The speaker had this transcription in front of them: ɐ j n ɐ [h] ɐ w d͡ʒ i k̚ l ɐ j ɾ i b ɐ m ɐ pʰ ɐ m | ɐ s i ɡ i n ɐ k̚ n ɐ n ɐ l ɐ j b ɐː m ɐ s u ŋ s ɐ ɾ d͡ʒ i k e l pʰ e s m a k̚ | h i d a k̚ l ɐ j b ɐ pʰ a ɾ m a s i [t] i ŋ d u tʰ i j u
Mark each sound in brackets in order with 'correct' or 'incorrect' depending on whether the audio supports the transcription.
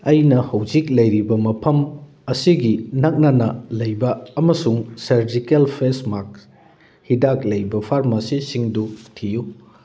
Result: correct, incorrect

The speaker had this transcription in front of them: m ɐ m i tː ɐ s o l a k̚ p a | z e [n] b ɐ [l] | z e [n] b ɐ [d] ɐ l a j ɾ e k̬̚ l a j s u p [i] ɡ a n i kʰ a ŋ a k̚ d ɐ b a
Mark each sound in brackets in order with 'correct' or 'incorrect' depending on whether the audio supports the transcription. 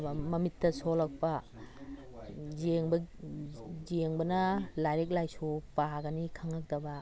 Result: incorrect, incorrect, incorrect, incorrect, incorrect

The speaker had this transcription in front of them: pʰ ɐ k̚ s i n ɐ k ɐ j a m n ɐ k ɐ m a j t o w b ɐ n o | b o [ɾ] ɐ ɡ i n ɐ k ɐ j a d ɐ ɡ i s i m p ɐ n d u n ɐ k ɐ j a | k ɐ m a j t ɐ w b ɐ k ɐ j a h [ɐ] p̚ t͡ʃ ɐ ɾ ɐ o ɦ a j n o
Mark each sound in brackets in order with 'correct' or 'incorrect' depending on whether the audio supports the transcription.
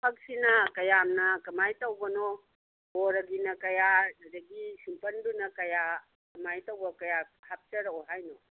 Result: correct, incorrect

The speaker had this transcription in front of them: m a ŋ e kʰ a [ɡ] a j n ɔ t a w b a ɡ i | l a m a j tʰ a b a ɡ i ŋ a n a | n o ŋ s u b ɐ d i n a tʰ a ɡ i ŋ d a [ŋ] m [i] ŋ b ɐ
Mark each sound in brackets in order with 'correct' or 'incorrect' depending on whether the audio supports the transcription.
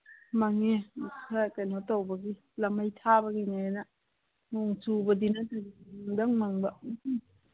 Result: incorrect, correct, incorrect

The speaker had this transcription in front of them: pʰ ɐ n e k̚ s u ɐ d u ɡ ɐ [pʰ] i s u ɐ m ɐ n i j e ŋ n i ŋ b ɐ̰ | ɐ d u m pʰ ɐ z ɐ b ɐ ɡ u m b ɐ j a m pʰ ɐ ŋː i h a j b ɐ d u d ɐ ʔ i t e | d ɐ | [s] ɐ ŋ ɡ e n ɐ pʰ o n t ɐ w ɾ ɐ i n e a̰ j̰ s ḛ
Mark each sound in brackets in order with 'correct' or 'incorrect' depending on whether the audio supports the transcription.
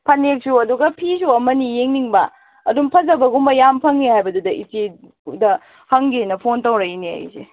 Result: correct, incorrect

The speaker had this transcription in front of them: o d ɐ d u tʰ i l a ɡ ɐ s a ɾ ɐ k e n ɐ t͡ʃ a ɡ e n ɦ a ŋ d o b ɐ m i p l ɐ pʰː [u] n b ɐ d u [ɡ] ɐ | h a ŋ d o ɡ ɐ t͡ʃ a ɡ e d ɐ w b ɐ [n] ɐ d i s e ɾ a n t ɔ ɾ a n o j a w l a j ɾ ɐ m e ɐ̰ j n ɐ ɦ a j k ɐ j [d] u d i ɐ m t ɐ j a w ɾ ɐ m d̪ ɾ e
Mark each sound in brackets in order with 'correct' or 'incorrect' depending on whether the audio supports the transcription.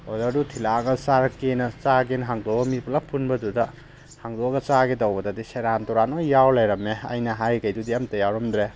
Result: correct, incorrect, incorrect, correct

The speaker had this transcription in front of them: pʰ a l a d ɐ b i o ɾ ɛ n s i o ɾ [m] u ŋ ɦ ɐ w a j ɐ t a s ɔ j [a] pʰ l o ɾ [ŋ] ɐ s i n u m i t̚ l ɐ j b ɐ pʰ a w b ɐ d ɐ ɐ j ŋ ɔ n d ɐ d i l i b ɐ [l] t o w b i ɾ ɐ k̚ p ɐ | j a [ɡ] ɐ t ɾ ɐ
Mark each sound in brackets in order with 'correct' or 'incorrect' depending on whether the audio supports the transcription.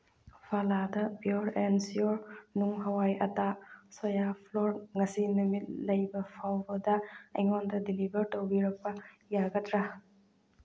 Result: incorrect, correct, correct, incorrect, correct

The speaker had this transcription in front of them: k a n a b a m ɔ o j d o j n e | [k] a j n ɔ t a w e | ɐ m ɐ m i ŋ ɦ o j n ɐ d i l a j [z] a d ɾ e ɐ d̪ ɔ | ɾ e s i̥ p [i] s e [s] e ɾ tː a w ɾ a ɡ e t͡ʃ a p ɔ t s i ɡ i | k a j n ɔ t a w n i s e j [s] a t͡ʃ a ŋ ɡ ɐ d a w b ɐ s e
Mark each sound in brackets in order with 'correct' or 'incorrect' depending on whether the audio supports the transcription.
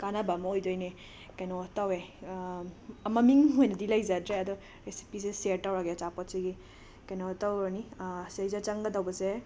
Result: correct, correct, correct, correct, incorrect

